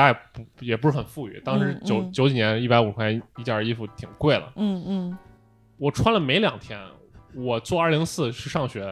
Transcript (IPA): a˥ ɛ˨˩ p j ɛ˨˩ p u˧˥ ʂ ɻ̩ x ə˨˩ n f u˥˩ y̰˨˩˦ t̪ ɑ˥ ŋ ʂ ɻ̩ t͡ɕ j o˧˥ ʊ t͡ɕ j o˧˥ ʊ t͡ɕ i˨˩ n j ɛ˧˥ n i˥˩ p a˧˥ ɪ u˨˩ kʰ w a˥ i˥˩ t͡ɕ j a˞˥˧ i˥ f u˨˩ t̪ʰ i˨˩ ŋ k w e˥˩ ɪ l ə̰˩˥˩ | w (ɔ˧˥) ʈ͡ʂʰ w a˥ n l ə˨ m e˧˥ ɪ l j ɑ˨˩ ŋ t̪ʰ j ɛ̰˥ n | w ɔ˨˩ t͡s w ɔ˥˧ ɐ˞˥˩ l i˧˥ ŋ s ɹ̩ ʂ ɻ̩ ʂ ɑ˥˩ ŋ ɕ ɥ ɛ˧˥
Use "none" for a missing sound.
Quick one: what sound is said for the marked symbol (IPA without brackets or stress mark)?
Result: ɔ˨˩